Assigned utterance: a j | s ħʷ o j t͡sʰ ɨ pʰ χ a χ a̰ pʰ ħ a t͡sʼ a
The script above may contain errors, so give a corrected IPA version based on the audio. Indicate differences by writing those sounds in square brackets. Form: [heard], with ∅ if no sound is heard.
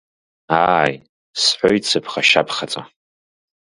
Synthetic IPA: a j | s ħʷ o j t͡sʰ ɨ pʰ χ a [ʃ] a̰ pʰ [χ] a t͡sʼ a